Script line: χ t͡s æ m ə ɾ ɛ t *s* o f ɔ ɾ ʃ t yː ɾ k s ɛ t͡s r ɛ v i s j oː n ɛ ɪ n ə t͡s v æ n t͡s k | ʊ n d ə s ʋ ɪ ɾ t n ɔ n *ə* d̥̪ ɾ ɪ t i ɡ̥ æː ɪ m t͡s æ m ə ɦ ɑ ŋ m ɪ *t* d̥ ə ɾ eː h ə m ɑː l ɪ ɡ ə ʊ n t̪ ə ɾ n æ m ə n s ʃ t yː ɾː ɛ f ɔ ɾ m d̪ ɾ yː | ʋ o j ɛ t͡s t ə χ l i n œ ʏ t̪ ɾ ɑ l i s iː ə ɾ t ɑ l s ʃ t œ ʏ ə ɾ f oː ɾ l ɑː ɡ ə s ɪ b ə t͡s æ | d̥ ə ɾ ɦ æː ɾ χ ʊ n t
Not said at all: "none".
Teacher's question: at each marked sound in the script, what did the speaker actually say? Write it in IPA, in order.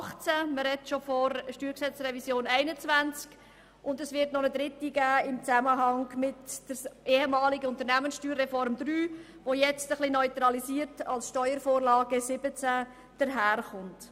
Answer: ʃ, ə, t

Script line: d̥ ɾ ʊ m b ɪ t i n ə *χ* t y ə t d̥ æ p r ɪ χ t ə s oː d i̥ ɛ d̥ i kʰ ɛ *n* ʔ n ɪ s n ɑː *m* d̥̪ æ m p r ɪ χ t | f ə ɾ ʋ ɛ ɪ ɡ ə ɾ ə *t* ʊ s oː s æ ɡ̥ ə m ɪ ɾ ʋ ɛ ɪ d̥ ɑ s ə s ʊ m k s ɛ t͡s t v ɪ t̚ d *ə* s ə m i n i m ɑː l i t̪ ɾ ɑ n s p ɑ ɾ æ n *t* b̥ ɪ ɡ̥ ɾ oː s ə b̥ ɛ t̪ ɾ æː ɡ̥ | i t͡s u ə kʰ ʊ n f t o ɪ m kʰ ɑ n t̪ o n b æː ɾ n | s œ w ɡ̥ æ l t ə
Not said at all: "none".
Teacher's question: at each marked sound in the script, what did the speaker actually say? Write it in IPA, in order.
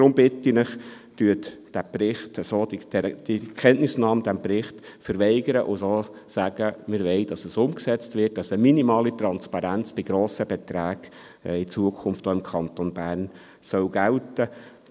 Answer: χ, n, m, ʔ, ɑ, t͡s

